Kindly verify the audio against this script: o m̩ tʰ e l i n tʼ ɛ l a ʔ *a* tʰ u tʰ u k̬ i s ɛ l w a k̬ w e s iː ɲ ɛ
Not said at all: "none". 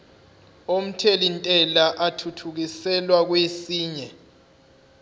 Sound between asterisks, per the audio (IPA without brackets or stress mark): a